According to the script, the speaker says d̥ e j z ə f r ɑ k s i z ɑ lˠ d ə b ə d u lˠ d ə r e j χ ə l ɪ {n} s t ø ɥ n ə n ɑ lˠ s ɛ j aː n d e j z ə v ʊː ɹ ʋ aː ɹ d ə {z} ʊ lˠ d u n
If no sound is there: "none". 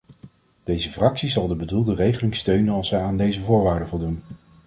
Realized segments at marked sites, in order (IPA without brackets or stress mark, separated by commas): ŋ, v